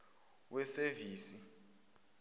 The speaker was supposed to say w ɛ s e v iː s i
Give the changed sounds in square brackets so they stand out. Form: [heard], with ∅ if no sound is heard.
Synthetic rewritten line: w ɛ s e v iː s i

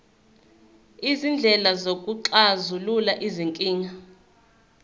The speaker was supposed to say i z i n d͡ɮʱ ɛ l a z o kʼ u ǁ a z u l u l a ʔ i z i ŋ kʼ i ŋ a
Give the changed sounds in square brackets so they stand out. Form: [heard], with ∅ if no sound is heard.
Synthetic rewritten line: i z i n d͡ɮʱ ɛ l a z o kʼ u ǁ a z u l u l a ʔ i z i ŋ kʼ [iː] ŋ a

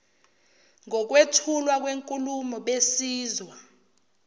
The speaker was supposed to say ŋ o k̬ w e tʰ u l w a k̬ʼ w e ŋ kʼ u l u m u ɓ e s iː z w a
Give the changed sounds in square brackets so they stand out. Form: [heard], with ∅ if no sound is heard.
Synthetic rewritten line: ŋ [ɔ] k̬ w e tʰ u l w a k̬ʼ w e ŋ kʼ u l u m [ɔ] ɓ e s iː z w a

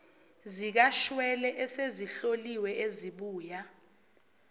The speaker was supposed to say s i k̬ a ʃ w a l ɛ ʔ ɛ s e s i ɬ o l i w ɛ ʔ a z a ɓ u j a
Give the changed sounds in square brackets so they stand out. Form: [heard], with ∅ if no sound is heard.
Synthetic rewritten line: [z] i k̬ a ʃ w [ɛ] l ɛ ʔ ɛ s e [z] i ɬ o l i w ɛ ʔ [e] z [i] ɓ [uː] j a

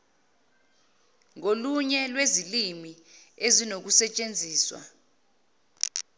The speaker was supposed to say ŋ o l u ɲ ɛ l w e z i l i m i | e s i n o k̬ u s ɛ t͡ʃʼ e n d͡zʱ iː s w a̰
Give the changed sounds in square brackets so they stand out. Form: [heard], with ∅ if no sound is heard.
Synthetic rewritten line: ŋ o l u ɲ ɛ l w e z i l i m i | e [z] i n o k̬ u s ɛ t͡ʃʼ e n d͡zʱ iː s w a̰

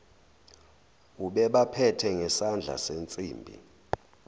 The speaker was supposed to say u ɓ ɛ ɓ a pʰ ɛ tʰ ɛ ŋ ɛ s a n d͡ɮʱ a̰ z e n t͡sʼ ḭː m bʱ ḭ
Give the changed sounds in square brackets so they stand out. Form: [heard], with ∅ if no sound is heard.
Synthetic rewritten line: u ɓ ɛ ɓ a pʰ ɛ tʰ ɛ ŋ ɛ s a n d͡ɮʱ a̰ [s] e n t͡sʼ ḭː m bʱ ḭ

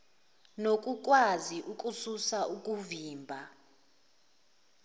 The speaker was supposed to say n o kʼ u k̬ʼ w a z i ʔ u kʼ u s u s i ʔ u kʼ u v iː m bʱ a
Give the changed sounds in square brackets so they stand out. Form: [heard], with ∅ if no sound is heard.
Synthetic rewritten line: n o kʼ u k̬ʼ w a z i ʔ u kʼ u s u s [a] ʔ u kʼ u v iː m bʱ a

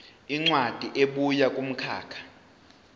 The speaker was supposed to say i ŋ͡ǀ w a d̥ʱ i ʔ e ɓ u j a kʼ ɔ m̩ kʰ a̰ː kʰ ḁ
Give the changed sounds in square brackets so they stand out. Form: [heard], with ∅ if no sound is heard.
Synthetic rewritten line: i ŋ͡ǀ w a d̥ʱ i ʔ e ɓ u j a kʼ [u] m̩ kʰ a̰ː kʰ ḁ

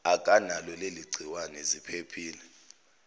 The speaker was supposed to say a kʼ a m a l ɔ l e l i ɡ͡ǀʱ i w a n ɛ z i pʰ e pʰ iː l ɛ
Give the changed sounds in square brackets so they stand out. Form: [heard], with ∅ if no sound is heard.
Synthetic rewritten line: a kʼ a [n] a l ɔ l e l i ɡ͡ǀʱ i w a n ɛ z i pʰ e pʰ iː l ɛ

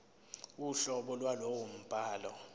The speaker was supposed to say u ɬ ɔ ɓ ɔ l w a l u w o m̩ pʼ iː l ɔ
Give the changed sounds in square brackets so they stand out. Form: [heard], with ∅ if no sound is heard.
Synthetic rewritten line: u ɬ ɔ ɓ ɔ l w a l [o] w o m̩ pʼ [aː] l ɔ

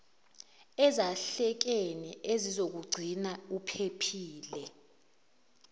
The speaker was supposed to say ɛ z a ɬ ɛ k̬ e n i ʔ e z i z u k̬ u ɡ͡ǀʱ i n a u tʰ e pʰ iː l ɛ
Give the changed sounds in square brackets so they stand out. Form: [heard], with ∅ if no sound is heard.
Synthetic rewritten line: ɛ z a ɬ ɛ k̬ e n i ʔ e z i z [o] k̬ u ɡ͡ǀʱ i n a u [pʰ] e pʰ iː l ɛ

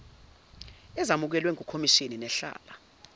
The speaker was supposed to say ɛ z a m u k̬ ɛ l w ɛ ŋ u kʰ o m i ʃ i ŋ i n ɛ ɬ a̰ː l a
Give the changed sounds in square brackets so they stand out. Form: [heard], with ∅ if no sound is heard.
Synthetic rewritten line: ɛ z a m u k̬ ɛ l w ɛ ŋ u kʰ o m i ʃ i [n] i n ɛ ɬ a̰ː l a

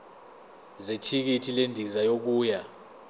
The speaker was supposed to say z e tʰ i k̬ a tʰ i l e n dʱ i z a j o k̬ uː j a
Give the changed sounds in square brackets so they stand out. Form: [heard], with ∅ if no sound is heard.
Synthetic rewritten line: z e tʰ i k̬ [i] tʰ i l e n dʱ i z a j o k̬ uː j a

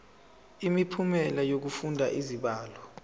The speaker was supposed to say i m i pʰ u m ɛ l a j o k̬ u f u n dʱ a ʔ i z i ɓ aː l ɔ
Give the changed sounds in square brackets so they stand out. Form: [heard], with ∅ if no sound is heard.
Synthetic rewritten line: i m i pʰ u m ɛ l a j o k̬ u f u n dʱ a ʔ i z i ɓ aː l ɔ

